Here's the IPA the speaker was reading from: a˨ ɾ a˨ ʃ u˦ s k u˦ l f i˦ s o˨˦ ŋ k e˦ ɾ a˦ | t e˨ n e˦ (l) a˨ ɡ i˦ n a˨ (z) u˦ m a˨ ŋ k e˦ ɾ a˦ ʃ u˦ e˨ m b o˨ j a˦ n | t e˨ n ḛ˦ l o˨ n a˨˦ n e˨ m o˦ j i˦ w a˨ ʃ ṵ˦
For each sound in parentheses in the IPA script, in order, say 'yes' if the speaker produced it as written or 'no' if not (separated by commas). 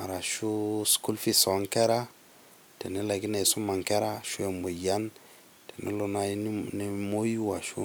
yes, no